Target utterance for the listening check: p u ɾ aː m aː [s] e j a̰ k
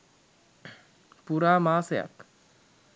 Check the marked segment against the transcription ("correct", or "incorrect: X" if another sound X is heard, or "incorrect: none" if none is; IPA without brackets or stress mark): correct